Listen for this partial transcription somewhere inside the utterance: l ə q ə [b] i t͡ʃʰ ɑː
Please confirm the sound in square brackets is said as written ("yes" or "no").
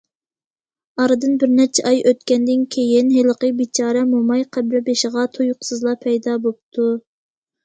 yes